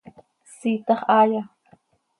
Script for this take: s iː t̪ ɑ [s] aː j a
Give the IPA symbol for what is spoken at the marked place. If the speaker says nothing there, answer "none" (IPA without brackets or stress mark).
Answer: χ